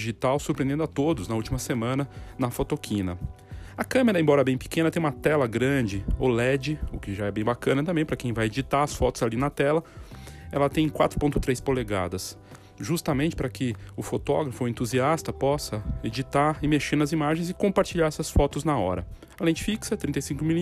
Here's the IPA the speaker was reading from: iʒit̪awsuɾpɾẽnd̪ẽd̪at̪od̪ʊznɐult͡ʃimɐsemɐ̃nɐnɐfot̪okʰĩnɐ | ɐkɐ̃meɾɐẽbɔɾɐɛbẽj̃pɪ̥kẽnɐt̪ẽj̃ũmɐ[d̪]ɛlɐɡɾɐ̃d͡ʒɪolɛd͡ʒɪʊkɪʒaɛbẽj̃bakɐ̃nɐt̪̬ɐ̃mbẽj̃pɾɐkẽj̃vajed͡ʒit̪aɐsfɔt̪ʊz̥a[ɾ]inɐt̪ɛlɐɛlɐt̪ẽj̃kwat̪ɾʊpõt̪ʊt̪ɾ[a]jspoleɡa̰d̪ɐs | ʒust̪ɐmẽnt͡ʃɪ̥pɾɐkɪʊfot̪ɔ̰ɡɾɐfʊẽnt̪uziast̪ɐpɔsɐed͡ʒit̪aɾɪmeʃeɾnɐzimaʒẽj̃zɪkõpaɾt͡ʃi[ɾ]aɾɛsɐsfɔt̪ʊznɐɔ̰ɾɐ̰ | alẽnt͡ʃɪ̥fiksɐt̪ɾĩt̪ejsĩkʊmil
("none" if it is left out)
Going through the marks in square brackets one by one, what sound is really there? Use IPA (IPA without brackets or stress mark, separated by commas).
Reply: t̪, l, e, ʎ